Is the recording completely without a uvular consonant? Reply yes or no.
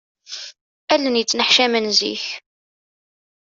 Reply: yes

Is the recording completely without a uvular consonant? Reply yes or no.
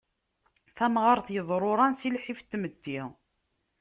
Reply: no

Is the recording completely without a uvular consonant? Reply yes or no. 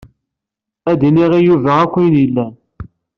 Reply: no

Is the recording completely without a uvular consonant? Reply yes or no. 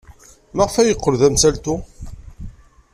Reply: no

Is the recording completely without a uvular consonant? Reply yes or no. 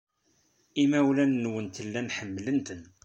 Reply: yes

